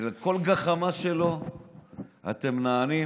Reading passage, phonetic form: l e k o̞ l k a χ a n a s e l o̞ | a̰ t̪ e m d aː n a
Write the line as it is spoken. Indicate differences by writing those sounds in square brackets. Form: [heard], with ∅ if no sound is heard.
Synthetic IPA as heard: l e k o̞ l [ɡ] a χ a [m] a [ʃ] e l o̞ | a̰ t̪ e m [n] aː n [i]